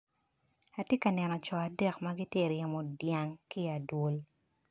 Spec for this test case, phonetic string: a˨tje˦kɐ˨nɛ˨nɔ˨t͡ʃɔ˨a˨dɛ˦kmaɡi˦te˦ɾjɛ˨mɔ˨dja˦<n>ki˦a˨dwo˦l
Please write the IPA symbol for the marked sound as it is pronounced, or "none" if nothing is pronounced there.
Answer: ŋ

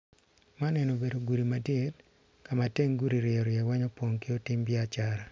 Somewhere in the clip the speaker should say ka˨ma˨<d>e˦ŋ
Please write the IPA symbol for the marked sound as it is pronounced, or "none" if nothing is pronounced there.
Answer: t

